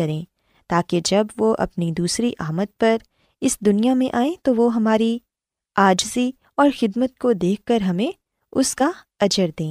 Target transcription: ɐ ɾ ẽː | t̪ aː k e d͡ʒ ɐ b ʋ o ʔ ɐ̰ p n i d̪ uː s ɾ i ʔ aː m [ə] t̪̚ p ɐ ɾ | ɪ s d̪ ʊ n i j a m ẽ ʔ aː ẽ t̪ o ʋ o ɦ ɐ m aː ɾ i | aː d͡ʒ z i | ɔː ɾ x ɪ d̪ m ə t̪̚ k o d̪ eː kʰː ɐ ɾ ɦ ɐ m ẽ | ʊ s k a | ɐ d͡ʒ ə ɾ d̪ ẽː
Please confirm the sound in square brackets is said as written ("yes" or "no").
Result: yes